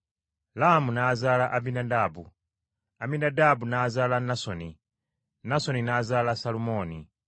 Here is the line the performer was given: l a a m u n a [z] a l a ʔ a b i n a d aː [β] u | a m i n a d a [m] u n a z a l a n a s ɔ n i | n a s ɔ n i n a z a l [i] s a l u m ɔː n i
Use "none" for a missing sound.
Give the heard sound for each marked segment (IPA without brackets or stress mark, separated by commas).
z, b, b, a